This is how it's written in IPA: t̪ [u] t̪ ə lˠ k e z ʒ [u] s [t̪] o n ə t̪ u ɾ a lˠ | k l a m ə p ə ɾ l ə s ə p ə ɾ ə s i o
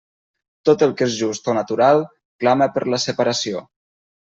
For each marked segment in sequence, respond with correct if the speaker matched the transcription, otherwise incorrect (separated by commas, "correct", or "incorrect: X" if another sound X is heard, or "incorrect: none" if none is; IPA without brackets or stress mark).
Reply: incorrect: o, correct, correct